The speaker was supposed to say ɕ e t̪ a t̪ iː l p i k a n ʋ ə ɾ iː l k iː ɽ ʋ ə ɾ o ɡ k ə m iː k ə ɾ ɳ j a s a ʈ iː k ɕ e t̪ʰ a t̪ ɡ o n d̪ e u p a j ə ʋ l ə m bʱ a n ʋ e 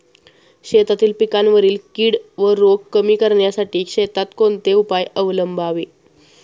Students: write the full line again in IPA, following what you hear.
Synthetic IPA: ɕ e t̪ a t̪ iː l p i k a n ʋ ə ɾ iː l k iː ɽ ʋ ə ɾ o ɡ k ə m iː k ə ɾ ɳ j a s a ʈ iː k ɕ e t̪ a t̪ k o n t̪ e u p a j ə ʋ l ə m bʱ a ʋ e